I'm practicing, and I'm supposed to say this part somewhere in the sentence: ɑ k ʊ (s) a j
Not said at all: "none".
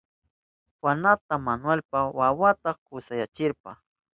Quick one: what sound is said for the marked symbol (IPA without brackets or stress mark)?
s